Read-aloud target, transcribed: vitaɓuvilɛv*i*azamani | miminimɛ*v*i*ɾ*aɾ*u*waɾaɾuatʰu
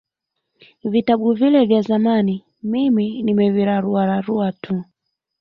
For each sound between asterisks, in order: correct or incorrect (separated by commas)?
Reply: incorrect, correct, correct, correct